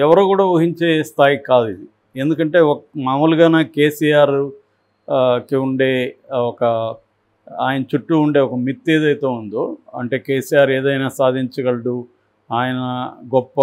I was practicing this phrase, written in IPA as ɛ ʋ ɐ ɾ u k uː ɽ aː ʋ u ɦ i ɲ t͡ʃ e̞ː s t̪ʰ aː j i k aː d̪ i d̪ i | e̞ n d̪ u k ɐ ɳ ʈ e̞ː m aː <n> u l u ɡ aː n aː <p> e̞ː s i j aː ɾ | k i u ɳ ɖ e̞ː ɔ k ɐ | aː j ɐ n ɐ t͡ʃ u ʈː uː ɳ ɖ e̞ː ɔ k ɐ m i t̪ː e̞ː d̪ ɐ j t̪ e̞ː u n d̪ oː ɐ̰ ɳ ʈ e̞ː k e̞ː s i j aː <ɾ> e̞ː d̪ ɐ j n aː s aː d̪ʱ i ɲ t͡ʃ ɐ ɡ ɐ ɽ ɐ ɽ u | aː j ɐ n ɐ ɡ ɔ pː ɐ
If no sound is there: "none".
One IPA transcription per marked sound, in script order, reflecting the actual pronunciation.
m, k, ɾ

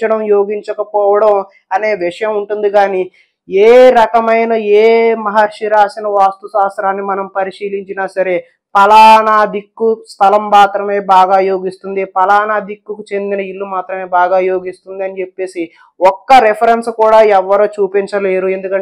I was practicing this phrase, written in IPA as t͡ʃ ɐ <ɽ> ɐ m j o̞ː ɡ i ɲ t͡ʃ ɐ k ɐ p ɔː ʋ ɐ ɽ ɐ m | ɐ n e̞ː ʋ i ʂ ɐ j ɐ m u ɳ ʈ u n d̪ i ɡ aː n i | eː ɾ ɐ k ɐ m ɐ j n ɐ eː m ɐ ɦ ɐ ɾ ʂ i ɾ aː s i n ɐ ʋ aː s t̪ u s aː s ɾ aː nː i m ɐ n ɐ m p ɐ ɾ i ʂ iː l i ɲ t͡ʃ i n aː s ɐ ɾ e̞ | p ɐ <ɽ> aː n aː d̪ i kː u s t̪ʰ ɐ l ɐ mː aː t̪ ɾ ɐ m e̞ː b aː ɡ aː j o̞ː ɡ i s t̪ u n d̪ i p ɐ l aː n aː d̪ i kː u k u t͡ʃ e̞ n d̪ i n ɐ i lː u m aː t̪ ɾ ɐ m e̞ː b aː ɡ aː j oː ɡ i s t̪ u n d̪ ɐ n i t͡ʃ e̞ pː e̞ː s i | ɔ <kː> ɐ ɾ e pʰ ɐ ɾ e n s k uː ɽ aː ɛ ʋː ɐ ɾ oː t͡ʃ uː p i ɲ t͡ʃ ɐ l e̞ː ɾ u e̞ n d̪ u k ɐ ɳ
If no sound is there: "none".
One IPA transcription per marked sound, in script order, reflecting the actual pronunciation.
ɽ, l, kː

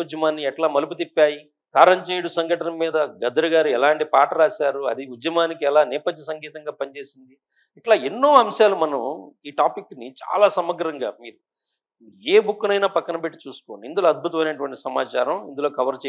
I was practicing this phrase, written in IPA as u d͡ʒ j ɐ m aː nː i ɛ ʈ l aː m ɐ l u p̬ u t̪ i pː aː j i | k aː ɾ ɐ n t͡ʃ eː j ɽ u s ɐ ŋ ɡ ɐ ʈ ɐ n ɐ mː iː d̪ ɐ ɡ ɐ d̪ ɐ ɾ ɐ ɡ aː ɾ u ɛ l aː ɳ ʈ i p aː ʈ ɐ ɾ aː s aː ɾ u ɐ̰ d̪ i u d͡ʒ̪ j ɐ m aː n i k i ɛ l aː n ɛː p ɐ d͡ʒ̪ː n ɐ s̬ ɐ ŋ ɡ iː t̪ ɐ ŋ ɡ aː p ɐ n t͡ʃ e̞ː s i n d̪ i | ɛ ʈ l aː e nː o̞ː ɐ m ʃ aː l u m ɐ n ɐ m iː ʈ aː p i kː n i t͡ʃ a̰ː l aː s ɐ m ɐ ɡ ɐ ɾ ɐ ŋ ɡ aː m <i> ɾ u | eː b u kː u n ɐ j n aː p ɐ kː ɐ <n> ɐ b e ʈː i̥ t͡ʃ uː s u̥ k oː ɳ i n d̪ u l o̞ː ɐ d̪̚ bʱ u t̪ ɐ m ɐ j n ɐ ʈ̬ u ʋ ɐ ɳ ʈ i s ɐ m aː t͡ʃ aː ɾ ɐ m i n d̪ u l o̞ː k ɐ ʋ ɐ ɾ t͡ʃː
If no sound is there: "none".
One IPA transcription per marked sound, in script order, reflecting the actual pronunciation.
iː, n

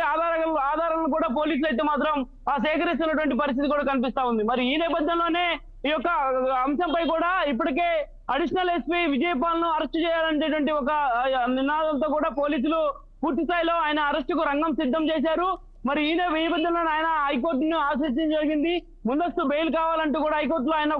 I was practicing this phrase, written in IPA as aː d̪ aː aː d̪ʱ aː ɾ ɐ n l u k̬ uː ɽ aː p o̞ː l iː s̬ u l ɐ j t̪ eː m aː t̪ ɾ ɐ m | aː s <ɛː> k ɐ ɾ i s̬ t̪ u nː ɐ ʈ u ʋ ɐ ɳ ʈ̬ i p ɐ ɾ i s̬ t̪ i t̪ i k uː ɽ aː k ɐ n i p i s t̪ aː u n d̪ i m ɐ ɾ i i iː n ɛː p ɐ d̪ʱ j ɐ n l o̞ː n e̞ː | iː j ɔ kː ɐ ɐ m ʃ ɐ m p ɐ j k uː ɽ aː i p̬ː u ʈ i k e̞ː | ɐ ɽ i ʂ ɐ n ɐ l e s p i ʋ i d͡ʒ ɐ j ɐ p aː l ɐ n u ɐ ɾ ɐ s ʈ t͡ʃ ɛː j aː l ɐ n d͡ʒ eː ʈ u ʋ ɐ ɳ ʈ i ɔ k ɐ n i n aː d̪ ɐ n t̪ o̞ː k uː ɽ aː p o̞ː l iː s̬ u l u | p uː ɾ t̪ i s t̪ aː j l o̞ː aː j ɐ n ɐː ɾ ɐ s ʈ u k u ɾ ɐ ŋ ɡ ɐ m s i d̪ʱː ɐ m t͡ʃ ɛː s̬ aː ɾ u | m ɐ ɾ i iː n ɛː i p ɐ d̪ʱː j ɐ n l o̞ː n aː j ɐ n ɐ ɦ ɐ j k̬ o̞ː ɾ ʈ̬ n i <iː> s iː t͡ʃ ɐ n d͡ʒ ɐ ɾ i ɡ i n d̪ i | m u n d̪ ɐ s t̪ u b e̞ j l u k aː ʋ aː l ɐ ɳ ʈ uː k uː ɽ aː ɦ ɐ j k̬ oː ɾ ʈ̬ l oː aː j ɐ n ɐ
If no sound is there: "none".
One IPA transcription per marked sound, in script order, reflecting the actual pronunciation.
ɛː, aː

